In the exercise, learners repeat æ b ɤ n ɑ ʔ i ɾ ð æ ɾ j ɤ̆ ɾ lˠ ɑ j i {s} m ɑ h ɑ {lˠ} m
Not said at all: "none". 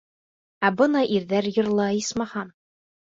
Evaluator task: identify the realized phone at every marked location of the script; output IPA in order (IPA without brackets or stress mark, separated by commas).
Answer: s, none